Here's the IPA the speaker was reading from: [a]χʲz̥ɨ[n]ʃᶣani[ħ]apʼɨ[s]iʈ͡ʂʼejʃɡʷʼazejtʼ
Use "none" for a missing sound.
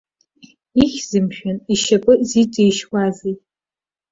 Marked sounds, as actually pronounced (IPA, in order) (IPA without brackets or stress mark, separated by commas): i, m, ʃ, z